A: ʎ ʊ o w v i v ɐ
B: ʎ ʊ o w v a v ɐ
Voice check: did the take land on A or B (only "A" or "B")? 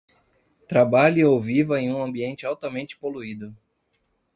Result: A